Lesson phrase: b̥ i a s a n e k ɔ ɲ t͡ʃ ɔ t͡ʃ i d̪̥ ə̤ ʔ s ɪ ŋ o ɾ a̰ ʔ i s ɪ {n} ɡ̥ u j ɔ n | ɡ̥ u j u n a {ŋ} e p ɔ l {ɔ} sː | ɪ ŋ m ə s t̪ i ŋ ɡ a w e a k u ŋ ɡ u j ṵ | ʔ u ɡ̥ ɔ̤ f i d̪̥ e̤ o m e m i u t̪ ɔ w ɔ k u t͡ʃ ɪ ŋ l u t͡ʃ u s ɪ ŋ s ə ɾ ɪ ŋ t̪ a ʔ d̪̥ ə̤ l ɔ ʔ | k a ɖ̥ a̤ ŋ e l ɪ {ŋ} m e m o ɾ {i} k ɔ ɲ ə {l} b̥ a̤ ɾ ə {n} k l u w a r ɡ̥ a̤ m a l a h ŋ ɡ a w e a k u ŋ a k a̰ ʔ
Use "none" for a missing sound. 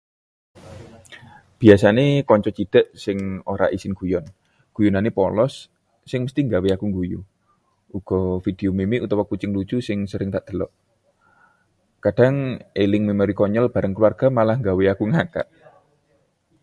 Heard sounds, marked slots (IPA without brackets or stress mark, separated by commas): n, n, ɔ, ŋ, i, l, ŋ